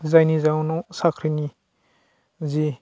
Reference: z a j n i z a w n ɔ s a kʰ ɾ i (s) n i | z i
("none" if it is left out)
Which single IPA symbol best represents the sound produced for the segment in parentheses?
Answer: none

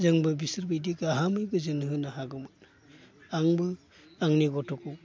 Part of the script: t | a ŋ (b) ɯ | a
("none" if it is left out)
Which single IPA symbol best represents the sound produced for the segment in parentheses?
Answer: b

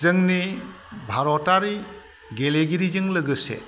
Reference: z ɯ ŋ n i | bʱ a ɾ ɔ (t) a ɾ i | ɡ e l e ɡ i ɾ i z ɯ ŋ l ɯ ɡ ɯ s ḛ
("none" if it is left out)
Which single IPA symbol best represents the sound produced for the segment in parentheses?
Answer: t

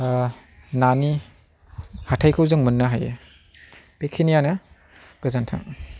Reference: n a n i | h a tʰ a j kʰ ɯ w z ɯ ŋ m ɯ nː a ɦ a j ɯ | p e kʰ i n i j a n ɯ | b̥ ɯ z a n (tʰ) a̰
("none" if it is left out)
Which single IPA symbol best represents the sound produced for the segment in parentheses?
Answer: tʰ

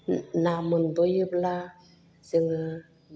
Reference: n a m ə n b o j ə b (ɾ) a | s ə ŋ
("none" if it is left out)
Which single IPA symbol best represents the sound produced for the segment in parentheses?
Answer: l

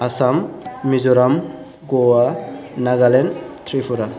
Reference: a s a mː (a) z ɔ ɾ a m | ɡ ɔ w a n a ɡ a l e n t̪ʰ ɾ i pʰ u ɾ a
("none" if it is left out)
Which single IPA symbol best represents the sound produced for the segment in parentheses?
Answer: i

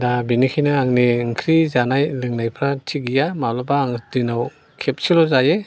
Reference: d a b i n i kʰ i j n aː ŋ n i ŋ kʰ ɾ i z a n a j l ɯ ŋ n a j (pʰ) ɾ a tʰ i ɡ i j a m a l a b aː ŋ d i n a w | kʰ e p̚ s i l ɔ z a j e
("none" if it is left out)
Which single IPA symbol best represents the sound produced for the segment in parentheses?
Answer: pʰ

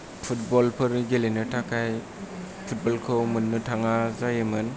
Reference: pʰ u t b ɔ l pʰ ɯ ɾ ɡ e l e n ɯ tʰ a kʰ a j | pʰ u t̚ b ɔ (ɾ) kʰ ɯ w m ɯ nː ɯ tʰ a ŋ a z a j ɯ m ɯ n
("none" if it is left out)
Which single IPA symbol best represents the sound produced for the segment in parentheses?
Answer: l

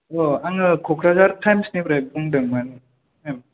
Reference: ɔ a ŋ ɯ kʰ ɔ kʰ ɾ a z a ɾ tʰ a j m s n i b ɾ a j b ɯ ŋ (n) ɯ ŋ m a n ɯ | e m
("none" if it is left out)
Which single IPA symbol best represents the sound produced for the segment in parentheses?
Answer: d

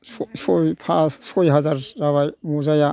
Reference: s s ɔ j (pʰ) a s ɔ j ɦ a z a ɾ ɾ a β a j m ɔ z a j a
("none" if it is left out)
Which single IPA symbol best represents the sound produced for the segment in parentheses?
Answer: pʰ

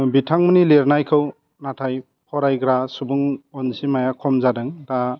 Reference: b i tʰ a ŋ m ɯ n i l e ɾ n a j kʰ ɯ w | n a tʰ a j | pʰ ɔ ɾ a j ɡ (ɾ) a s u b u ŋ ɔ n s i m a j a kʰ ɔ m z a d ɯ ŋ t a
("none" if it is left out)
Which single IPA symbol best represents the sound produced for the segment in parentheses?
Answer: ɾ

